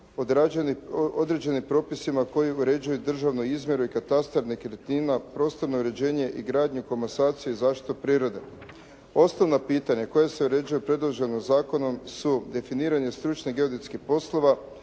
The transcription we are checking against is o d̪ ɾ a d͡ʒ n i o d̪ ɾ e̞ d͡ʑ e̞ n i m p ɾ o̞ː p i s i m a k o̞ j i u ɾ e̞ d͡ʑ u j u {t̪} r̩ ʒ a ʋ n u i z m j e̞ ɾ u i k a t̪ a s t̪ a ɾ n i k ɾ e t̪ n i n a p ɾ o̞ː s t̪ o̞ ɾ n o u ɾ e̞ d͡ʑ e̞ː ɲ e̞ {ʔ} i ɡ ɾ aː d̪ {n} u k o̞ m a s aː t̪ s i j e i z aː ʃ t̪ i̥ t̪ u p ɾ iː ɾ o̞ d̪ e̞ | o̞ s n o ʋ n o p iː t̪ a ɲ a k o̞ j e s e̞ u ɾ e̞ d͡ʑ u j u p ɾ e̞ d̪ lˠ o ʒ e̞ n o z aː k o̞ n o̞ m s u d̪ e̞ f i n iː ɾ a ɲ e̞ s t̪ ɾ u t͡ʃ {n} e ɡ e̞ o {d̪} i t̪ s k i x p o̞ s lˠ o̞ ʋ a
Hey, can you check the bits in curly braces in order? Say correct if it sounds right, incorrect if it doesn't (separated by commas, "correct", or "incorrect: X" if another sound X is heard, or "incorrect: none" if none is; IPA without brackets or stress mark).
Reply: incorrect: d̪, correct, incorrect: ɲ, correct, correct